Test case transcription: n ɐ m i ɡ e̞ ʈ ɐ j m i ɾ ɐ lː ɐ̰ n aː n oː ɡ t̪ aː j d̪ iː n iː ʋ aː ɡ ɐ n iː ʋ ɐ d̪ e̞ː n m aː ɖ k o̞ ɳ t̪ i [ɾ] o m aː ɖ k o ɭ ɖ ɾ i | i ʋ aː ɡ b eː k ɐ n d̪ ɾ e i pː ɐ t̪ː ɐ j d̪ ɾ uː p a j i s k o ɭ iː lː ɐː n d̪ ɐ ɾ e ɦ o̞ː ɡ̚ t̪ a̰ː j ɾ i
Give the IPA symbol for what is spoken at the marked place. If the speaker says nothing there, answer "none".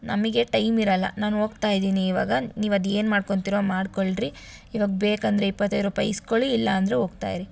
ɾ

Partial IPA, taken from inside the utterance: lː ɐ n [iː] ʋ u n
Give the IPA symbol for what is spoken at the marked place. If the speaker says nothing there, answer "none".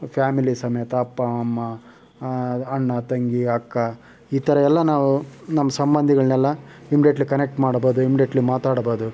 aː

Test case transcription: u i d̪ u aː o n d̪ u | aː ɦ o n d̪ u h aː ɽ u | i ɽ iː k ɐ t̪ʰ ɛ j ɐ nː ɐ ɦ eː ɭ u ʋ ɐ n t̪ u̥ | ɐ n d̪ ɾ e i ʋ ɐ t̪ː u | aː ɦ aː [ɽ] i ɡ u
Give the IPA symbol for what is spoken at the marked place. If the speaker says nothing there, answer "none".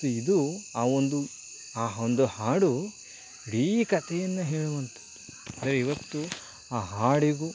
ɽ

